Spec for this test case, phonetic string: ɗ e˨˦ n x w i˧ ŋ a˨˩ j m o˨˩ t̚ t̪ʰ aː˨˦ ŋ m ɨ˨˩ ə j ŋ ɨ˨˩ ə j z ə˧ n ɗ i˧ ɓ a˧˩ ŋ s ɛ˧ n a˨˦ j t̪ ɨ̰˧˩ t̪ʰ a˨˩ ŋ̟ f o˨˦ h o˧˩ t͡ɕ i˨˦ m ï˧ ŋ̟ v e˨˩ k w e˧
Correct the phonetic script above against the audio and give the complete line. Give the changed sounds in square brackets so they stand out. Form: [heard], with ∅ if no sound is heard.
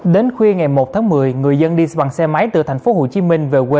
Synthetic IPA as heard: ɗ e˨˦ n x w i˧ ŋ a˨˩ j m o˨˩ t̚ t̪ʰ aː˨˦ ŋ m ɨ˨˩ ə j ŋ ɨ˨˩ ə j z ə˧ n ɗ i˧ ɓ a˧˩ ŋ s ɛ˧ [m] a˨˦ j t̪ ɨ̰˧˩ t̪ʰ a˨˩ ŋ̟ f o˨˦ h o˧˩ t͡ɕ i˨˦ m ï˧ ŋ̟ v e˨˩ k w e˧